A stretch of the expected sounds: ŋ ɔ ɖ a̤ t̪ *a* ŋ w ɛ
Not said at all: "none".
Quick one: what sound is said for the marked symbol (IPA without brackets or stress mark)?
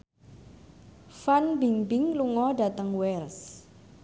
ə